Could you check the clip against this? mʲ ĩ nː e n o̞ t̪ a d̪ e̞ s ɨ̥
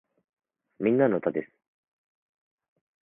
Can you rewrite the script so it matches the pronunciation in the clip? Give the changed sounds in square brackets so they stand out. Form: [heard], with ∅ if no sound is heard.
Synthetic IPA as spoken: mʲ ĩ nː [a] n o̞ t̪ a d̪ e̞ s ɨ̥